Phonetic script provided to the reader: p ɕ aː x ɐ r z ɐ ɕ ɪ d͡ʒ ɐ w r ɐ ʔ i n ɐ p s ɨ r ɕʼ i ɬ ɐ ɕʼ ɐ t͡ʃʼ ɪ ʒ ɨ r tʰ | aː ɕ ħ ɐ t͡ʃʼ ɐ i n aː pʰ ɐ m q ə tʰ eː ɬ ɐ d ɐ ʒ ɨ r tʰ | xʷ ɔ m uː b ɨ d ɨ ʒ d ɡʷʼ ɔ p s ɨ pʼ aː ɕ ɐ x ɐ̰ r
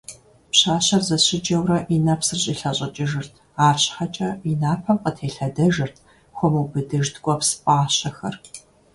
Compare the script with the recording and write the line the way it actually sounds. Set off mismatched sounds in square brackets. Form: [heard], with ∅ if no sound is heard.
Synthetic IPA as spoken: p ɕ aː [ɕ] ɐ r z ɐ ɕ ɪ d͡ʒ ɐ w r ɐ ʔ i n ɐ p s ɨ r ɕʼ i ɬ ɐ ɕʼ ɐ t͡ʃʼ ɪ ʒ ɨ r tʰ | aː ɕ ħ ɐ t͡ʃʼ ɐ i n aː pʰ ɐ m q ə tʰ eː ɬ ɐ d ɐ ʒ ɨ r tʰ | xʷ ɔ m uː b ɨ d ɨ ʒ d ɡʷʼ ɔ p s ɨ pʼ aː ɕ ɐ x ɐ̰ r